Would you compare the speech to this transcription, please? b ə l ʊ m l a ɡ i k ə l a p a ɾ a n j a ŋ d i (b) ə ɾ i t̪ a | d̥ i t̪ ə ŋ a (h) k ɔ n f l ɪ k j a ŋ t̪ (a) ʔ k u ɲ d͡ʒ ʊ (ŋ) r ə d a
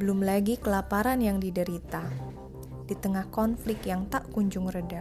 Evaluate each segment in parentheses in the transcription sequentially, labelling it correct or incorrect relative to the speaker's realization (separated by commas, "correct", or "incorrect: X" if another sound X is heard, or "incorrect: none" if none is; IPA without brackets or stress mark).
incorrect: d, correct, correct, correct